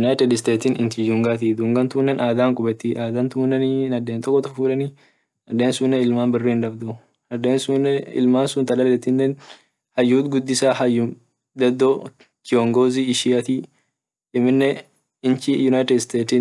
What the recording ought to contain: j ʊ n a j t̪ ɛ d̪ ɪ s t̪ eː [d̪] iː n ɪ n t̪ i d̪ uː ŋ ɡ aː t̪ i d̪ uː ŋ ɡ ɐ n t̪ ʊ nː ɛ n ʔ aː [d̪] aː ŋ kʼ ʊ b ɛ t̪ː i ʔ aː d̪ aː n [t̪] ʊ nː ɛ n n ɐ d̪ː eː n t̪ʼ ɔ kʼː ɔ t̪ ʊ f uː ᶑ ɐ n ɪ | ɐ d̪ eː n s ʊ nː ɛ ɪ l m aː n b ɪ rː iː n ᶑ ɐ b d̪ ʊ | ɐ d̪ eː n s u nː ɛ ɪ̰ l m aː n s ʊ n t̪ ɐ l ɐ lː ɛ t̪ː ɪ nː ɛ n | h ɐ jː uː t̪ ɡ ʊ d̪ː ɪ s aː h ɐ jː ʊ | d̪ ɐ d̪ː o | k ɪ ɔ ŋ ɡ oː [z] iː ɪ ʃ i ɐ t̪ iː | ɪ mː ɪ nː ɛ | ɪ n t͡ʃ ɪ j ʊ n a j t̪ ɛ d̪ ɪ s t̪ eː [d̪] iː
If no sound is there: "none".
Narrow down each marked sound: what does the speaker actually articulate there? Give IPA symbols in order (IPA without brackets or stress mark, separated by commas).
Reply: t̪, d̪, t̪, z, t̪